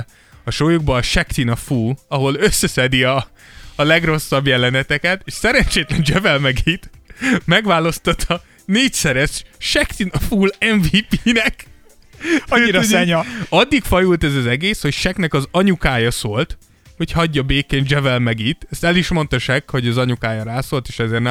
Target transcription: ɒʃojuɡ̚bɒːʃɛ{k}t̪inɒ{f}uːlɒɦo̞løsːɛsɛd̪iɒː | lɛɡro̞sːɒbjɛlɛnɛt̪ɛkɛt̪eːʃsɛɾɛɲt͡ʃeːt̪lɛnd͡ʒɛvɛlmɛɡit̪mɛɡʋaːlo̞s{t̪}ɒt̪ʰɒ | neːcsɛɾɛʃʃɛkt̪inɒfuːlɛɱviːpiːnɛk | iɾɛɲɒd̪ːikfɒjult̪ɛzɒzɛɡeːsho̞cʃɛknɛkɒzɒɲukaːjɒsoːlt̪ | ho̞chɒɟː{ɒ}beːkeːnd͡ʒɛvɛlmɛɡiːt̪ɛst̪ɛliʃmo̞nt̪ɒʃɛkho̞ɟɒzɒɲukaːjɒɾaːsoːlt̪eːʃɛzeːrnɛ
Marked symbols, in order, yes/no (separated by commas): yes, yes, yes, yes